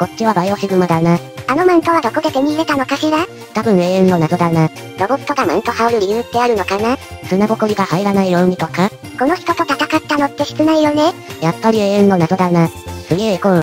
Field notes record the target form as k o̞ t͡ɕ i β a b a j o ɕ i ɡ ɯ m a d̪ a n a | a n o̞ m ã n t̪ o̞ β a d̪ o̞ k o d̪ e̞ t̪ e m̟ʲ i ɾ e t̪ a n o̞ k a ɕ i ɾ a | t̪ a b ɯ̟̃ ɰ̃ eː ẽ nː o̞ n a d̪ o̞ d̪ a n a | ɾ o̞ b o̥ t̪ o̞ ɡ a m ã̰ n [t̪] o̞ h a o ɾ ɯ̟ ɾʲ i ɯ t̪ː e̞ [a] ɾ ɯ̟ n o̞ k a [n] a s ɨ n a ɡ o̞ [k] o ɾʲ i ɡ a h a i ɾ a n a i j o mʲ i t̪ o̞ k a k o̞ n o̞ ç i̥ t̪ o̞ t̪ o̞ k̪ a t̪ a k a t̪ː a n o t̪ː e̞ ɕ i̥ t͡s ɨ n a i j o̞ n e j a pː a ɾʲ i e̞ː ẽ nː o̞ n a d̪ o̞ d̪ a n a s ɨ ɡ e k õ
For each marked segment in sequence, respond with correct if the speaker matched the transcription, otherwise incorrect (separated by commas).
correct, correct, correct, correct